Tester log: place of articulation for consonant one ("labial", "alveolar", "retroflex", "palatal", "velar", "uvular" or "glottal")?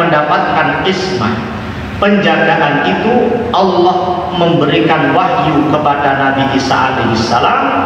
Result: alveolar